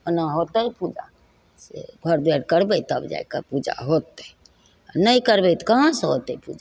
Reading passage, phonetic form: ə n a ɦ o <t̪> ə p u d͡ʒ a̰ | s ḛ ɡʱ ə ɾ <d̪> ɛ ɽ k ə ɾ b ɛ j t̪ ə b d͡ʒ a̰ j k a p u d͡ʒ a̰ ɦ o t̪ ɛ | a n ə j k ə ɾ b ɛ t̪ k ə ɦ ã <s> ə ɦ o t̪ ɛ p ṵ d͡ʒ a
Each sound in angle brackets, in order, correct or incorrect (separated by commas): correct, correct, correct